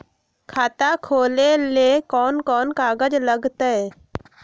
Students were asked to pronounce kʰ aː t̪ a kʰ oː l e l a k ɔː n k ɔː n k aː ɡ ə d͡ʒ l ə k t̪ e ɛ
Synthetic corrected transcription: kʰ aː t̪ a kʰ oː l e l e k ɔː n k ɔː n k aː ɡ ə d͡ʒ l ə ɡ t̪ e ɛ